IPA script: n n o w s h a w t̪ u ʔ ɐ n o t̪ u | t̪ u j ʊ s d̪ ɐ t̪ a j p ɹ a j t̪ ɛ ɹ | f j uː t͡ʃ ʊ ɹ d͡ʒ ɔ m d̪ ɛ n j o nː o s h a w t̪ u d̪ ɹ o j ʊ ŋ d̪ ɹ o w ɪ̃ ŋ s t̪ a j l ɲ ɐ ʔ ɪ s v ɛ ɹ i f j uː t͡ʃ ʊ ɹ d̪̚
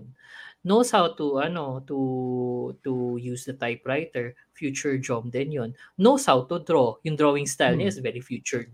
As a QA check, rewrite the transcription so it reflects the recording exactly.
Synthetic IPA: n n o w s h a w t̪ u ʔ ɐ n o t̪ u | t̪ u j u s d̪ ɐ t̪ a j p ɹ a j t̪ ɛ ɹ | f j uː t͡ʃ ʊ ɹ d͡ʒ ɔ m d̪ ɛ n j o nː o s h a w t̪ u d̪ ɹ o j ʊ ŋ d̪ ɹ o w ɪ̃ ŋ s t̪ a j l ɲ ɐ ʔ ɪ s v ɛ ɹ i f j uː t͡ʃ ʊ ɹ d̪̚